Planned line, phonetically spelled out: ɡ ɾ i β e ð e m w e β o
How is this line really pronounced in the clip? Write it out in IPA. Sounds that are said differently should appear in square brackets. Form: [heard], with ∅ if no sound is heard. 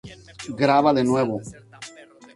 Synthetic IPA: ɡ ɾ [a] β [a] ð e [n] w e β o